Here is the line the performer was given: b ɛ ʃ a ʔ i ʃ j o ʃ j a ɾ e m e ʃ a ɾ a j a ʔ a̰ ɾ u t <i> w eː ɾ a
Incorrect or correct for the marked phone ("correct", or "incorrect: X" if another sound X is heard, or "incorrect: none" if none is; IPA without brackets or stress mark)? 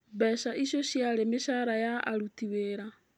correct